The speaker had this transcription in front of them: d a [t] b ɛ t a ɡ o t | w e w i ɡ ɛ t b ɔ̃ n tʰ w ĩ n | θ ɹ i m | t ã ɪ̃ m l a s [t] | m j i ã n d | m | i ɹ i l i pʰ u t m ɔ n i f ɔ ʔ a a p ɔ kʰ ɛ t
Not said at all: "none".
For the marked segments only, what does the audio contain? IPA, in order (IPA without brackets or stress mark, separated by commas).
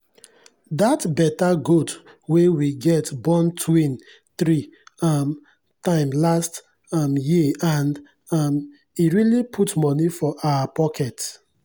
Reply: t, t